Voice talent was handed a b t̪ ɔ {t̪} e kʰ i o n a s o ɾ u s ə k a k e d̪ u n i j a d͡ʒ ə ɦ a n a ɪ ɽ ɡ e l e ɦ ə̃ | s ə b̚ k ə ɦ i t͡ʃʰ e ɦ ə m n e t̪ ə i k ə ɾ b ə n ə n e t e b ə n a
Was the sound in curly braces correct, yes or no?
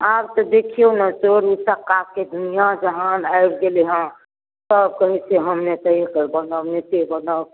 no